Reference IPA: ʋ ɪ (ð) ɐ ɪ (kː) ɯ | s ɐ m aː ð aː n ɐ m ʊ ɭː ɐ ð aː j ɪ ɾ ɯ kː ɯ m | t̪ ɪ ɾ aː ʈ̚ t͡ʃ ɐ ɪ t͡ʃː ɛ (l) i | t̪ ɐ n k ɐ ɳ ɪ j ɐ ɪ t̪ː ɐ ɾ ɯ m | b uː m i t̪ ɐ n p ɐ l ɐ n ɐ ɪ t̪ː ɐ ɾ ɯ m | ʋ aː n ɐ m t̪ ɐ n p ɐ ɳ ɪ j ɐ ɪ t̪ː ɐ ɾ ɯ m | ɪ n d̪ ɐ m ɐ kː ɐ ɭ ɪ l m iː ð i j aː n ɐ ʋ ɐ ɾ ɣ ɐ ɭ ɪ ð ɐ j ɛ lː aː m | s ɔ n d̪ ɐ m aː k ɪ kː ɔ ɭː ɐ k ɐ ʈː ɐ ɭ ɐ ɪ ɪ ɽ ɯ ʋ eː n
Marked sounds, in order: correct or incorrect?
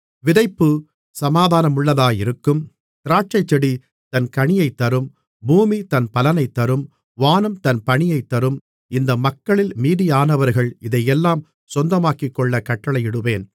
correct, incorrect: pː, incorrect: ɽ

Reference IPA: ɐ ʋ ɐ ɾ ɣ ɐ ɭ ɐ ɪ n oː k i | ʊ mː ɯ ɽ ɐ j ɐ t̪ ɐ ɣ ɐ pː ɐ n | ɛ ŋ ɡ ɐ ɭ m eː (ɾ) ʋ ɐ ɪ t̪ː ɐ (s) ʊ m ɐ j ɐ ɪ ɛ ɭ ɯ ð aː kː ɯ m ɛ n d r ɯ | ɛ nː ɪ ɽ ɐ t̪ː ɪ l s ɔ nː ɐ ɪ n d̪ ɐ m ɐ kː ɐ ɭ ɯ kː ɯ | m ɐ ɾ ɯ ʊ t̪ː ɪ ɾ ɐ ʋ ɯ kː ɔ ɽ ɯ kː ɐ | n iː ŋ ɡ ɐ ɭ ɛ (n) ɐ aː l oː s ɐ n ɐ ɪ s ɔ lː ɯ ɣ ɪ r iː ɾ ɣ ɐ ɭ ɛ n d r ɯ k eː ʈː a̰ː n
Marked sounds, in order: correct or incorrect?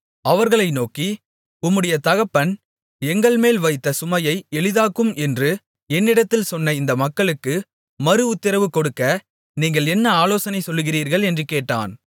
incorrect: l, correct, incorrect: nː

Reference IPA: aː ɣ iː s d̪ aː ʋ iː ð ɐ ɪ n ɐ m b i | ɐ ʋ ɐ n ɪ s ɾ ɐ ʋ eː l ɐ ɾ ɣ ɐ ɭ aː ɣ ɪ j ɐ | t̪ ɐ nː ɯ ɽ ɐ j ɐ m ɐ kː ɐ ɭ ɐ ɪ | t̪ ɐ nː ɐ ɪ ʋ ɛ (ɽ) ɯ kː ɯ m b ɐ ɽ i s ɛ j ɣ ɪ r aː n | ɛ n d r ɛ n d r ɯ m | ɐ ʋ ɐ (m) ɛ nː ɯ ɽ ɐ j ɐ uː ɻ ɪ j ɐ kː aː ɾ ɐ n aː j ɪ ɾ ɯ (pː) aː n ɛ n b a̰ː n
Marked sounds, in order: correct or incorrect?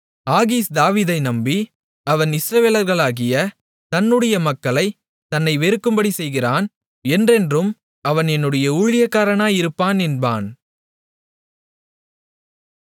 incorrect: ɾ, incorrect: n, correct

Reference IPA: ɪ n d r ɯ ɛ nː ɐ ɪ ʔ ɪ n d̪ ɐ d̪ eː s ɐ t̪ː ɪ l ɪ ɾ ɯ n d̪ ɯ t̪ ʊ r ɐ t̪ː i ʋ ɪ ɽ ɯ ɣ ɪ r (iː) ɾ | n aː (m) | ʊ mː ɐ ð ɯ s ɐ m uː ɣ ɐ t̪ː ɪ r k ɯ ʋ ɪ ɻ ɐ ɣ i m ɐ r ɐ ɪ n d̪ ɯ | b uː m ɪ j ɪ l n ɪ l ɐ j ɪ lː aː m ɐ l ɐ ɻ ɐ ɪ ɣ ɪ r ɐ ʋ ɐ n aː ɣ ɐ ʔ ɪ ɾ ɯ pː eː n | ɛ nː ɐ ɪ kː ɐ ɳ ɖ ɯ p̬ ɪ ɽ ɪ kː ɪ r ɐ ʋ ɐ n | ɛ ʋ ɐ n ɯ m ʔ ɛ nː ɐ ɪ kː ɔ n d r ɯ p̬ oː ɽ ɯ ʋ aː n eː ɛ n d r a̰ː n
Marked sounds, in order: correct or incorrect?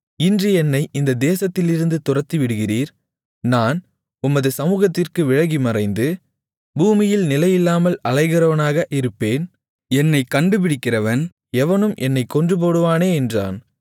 correct, incorrect: n

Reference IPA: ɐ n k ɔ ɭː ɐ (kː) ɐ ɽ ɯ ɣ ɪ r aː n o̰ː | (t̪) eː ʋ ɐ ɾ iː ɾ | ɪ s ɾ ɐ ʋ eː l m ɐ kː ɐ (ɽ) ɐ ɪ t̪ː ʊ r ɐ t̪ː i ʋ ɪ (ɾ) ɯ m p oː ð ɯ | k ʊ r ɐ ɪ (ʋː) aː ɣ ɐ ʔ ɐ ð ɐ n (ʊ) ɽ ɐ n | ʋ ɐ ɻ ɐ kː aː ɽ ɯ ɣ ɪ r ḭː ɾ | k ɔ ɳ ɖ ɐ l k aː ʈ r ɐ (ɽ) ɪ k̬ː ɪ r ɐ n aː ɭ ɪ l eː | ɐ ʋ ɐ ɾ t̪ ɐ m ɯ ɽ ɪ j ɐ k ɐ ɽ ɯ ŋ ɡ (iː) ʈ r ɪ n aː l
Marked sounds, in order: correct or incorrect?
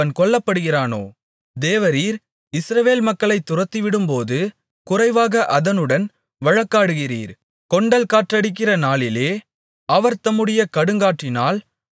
incorrect: pː, incorrect: d̪, incorrect: ɭ, incorrect: ɽ, incorrect: ʋ, incorrect: ɯ, correct, incorrect: aː

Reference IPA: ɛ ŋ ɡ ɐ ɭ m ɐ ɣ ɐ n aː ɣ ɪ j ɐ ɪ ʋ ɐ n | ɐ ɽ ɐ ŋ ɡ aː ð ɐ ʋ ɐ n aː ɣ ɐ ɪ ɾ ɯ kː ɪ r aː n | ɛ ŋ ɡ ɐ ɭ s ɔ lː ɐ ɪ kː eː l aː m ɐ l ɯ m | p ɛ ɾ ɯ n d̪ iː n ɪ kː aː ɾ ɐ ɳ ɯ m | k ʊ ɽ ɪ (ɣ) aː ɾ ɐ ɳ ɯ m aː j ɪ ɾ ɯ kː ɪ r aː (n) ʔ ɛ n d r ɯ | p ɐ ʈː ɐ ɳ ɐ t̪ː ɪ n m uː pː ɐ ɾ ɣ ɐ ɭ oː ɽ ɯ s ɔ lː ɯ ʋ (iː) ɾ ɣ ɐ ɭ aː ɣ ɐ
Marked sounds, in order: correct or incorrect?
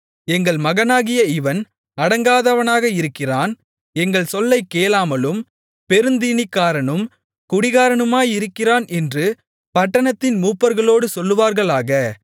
correct, correct, incorrect: aː

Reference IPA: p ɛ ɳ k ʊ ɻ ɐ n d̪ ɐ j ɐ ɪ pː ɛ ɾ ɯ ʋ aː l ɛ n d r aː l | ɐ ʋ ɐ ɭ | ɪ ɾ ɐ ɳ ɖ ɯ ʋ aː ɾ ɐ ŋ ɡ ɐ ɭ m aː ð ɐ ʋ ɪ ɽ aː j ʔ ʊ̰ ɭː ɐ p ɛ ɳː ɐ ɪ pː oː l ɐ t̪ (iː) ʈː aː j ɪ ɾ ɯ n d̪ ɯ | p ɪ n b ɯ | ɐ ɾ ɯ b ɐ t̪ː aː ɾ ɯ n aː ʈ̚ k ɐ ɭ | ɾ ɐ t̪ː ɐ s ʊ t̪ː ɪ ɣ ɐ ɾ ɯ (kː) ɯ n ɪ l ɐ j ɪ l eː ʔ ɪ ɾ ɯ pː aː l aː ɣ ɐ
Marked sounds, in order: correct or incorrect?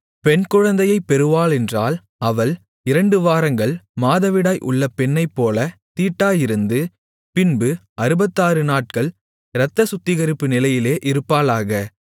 correct, incorrect: pː

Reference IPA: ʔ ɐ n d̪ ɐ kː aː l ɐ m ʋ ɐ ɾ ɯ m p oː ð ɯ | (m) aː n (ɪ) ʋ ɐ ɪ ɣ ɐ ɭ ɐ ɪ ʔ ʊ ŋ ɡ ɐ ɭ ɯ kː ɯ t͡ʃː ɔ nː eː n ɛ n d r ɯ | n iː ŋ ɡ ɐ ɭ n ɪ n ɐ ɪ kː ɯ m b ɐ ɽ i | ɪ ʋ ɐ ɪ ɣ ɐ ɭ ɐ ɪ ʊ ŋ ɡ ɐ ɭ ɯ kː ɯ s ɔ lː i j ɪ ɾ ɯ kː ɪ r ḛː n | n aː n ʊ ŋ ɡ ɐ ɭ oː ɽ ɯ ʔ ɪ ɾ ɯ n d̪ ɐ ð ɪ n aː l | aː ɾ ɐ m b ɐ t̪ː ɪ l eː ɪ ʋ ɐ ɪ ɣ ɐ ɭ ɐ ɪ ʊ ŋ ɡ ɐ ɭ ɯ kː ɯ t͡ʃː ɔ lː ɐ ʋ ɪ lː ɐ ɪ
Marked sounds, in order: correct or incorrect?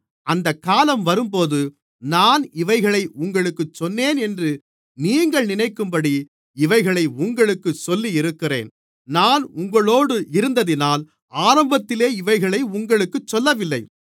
incorrect: n, correct

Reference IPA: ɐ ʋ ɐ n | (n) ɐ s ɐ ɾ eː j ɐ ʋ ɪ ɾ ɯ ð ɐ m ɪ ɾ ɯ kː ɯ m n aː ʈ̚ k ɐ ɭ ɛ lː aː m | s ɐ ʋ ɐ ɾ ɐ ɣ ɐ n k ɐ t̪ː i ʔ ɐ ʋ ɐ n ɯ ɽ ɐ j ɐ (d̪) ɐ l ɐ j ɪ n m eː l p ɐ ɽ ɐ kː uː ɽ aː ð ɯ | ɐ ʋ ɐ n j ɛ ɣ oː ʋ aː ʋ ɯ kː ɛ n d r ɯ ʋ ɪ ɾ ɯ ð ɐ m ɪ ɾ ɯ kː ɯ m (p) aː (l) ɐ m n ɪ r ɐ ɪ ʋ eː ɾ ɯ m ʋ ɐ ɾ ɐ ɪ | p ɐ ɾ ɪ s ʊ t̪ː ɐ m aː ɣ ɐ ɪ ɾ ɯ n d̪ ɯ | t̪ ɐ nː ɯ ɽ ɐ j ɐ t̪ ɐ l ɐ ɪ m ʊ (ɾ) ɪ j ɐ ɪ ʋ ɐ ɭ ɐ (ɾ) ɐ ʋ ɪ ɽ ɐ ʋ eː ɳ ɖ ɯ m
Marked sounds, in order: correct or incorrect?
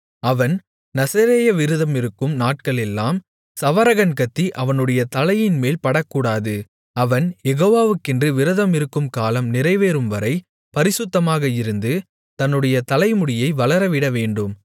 correct, incorrect: t̪, incorrect: k, correct, incorrect: ɽ, correct

